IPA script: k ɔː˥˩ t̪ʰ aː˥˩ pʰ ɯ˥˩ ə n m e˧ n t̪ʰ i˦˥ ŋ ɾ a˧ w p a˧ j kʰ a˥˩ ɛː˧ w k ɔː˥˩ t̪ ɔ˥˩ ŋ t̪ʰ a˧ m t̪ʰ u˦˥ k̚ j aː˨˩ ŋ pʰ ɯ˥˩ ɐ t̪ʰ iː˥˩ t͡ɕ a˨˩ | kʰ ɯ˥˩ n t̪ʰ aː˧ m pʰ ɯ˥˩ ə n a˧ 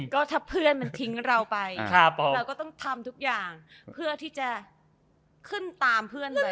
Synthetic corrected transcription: k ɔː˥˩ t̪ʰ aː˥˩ pʰ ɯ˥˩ ə n m a˧ n t̪ʰ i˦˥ ŋ ɾ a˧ w p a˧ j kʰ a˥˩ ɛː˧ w k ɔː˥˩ t̪ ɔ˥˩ ŋ t̪ʰ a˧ m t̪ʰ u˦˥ k̚ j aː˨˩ ŋ pʰ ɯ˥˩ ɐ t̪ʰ iː˥˩ t͡ɕ a˨˩ | kʰ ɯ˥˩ n t̪ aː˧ m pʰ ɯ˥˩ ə n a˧